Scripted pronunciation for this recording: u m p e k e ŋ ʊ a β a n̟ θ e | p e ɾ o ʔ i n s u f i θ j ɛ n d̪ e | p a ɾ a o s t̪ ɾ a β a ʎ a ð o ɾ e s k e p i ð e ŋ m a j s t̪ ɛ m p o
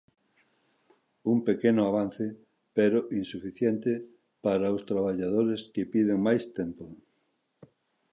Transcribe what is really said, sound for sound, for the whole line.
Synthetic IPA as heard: u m p e k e n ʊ a β a n̟ θ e | p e ɾ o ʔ i n s u f i θ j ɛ n t̪ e | p a ɾ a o s t̪ ɾ a β a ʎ a ð o ɾ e s k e p i ð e ŋ m a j s t̪ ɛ m p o